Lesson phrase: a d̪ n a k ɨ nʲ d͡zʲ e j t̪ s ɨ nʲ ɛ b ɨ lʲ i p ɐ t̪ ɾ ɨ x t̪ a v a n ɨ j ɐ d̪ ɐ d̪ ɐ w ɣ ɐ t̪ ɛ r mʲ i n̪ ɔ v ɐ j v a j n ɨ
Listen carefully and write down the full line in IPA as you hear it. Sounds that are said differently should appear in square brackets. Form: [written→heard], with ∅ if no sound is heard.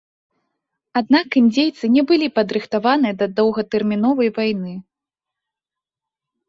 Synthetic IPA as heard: a d̪ n a k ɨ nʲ d͡zʲ e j t̪ s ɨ nʲ ɛ b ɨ lʲ i p ɐ [t̪→d̪] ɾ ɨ x t̪ a v a n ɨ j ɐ d̪ ɐ d̪ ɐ w ɣ ɐ t̪ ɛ r mʲ i n̪ ɔ v ɐ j v a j n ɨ